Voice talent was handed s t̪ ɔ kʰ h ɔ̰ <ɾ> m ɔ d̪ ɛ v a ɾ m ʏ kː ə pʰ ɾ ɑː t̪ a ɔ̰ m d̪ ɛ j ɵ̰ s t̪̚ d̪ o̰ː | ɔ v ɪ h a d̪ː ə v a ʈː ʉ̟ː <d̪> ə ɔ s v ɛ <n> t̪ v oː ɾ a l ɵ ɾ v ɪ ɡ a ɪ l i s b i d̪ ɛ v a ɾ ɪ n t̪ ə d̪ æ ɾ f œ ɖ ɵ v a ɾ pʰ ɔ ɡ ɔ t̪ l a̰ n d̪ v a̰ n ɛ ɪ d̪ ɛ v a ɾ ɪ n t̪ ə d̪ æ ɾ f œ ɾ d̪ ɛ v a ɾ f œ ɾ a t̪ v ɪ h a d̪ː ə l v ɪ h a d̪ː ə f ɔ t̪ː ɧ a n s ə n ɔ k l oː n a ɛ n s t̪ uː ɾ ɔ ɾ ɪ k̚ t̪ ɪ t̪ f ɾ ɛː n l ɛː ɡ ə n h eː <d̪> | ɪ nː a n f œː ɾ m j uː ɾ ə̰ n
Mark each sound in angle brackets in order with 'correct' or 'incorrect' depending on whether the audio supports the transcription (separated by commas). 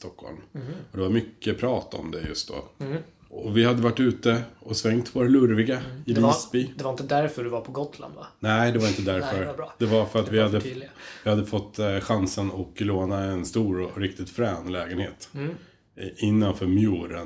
incorrect, incorrect, incorrect, incorrect